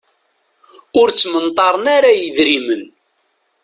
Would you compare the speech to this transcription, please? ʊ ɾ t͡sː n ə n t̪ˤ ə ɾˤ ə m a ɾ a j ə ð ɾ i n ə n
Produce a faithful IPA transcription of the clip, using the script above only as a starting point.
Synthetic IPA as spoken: ʊ ɾ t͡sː m ə n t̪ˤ ɑ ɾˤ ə n a ɾ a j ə ð ɾ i m ə n